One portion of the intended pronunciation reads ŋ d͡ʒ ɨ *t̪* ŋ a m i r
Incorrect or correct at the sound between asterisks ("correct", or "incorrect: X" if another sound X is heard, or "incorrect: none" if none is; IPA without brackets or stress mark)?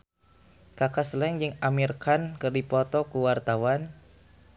incorrect: none